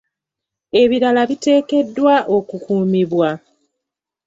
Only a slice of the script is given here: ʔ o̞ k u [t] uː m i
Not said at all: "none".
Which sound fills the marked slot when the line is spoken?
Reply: k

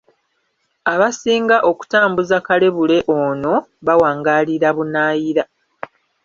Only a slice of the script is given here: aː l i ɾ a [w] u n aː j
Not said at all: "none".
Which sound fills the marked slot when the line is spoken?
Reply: β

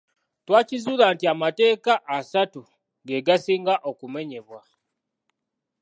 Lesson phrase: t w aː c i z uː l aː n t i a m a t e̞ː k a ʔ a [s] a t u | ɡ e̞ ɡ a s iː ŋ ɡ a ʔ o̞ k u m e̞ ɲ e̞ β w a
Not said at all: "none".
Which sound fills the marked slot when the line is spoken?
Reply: s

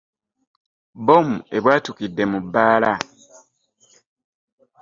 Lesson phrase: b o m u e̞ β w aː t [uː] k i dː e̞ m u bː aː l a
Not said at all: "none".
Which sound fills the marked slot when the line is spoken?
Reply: u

